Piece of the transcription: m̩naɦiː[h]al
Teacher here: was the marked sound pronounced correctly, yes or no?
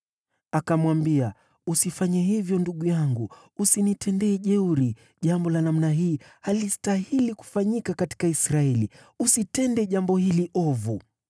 yes